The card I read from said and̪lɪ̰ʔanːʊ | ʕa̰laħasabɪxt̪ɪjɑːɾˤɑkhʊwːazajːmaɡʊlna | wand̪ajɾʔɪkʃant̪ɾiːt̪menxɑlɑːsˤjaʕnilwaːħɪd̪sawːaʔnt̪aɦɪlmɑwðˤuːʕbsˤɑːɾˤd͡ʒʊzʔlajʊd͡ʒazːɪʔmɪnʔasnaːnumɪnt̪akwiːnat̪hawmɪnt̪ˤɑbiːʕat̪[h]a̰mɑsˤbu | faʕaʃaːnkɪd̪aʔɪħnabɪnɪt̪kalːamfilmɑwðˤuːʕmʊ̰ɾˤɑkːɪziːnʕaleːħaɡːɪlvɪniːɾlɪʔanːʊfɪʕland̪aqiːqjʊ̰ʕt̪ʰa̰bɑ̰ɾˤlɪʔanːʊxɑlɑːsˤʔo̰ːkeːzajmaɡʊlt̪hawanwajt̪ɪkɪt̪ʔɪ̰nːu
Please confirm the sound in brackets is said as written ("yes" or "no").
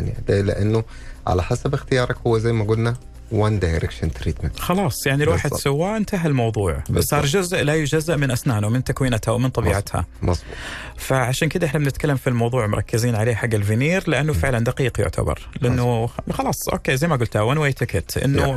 yes